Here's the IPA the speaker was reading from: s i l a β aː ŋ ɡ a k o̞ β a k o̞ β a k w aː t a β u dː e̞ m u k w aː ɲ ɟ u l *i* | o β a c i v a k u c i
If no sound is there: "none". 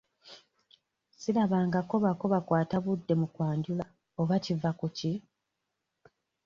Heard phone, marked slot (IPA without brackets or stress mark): a